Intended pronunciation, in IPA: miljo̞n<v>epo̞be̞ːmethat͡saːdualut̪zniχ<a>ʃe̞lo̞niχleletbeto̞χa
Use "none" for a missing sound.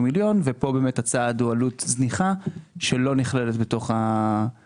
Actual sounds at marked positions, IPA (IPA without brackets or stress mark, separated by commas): v, a